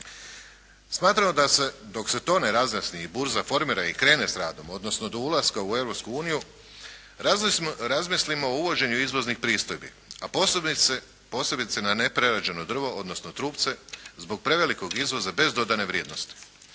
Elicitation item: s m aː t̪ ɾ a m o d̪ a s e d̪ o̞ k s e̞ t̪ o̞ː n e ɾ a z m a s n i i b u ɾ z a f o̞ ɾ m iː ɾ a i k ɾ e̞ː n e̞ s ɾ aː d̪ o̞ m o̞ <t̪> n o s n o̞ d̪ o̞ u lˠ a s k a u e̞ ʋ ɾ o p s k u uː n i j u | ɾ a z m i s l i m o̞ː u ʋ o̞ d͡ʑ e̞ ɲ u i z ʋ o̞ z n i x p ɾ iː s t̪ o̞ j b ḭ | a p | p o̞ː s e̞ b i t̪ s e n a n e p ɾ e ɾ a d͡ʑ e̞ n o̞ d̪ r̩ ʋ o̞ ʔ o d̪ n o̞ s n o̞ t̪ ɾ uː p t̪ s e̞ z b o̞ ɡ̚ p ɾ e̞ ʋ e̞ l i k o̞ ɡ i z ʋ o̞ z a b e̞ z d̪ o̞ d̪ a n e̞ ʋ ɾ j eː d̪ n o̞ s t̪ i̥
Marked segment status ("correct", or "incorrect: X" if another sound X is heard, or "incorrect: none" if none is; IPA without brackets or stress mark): incorrect: d̪